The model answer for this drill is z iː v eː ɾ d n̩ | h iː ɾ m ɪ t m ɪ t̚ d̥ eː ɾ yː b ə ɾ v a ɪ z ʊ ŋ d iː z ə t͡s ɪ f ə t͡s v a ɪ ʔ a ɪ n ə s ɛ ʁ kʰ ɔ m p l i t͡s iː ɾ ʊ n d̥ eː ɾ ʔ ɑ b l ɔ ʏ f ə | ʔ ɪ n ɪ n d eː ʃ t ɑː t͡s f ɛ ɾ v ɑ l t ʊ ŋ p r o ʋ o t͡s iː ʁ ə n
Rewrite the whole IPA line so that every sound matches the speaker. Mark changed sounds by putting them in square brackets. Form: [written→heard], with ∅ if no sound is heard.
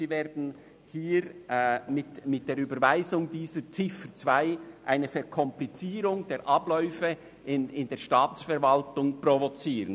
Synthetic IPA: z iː v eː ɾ d n̩ | h iː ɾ m ɪ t m ɪ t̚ d̥ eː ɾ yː b ə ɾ v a ɪ z ʊ ŋ d iː z ə t͡s ɪ f ə t͡s v a ɪ ʔ a ɪ n ə [s→f] ɛ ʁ kʰ ɔ m p l i t͡s iː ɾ ʊ [n→ŋ] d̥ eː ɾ ʔ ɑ b l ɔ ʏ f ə | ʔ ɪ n ɪ n d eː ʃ t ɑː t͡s f ɛ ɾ v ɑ l t ʊ ŋ p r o [ʋ→v] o t͡s iː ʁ ə n